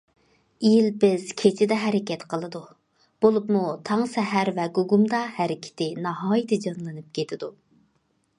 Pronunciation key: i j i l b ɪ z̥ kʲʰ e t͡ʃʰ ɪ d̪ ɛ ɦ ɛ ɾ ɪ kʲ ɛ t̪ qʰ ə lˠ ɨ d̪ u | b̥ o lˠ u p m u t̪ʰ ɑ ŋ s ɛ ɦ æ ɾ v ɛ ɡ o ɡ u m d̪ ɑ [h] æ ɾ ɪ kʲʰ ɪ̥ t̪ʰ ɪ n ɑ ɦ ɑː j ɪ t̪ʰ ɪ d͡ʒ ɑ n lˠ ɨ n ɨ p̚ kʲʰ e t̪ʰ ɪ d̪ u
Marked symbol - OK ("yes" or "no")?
yes